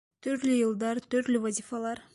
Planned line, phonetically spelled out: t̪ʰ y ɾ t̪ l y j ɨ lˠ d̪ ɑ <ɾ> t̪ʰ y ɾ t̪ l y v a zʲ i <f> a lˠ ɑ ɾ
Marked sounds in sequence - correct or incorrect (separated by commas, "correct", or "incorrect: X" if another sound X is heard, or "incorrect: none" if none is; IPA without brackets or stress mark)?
correct, correct